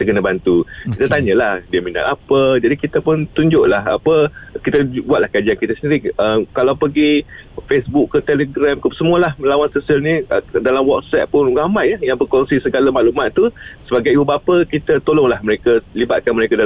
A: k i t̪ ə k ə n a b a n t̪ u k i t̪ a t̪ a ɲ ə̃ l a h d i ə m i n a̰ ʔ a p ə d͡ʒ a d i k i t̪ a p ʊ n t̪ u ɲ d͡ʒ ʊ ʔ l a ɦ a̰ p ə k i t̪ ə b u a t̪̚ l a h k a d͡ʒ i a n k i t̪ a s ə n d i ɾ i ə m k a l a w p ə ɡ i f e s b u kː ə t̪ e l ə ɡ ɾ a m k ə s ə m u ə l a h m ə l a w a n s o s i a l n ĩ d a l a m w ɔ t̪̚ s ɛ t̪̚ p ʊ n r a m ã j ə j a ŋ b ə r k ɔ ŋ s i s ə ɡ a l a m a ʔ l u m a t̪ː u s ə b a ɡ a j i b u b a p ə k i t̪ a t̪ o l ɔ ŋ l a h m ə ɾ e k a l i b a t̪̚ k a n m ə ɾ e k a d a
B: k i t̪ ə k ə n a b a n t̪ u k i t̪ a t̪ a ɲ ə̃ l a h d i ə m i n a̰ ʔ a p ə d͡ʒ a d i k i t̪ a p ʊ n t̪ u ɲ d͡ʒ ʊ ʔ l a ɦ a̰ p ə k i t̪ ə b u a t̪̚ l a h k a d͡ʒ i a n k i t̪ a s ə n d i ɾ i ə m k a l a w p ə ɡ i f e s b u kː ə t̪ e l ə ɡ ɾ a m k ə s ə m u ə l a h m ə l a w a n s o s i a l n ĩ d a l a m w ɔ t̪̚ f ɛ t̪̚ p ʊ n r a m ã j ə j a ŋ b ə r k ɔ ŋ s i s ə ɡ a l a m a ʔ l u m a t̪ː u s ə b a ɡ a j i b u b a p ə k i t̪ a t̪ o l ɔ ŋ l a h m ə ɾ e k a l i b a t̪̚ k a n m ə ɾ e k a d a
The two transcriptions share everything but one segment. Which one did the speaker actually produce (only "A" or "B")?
A